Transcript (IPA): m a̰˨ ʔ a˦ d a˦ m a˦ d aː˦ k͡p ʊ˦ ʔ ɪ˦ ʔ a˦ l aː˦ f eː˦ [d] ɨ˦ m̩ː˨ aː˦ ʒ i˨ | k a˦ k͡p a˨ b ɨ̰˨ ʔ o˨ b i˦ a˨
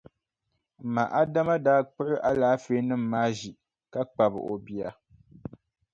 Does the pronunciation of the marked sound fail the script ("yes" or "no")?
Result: yes